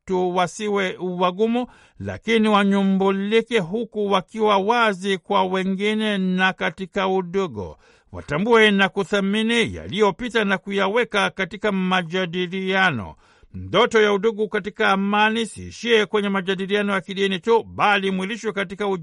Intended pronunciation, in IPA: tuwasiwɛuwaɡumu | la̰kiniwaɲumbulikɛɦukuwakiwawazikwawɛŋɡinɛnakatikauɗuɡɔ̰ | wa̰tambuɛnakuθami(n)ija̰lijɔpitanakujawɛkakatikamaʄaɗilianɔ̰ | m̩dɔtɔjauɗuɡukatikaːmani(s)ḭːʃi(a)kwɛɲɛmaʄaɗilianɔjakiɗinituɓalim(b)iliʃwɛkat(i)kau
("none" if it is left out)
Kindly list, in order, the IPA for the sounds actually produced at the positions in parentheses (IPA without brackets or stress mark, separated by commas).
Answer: n, s, ɛ, w, i